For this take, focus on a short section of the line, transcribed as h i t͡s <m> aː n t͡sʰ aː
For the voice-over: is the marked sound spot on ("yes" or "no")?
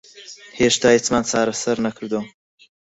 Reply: yes